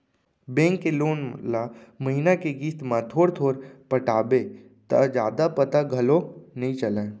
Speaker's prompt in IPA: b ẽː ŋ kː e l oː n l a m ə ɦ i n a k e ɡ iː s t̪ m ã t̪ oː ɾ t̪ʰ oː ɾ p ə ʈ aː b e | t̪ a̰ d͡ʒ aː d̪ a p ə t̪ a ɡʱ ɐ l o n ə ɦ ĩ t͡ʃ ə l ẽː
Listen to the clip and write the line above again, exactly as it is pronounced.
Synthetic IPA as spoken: b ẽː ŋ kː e l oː n l a m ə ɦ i n a k e ɡ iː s t̪ m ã t̪ʰ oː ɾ t̪ʰ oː ɾ p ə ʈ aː b e | t̪ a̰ d͡ʒ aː d̪ a p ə t̪ a ɡʱ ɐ l o n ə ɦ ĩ t͡ʃ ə l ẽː